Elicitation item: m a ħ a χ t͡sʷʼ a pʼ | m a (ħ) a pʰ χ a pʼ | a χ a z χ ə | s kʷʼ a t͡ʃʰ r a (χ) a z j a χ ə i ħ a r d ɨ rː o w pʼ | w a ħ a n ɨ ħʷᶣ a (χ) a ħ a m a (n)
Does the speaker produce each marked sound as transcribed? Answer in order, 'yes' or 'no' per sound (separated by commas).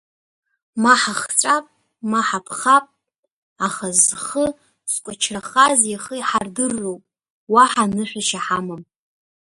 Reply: yes, yes, no, no